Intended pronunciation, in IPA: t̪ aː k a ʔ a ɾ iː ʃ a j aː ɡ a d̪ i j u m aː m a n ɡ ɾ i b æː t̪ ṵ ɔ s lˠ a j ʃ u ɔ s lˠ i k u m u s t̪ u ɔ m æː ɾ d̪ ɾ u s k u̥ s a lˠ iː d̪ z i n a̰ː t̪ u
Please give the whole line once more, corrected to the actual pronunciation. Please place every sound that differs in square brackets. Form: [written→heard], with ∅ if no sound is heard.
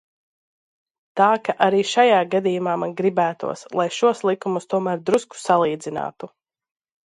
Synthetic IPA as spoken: t̪ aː k a ʔ a ɾ iː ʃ a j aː ɡ a d̪ i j u m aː m a n ɡ ɾ i b æː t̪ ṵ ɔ s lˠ a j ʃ u ɔ s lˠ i k u m u s t̪ u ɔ m æː ɾ d̪ ɾ u s k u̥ s a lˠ iː d̪ z i n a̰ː t̪ u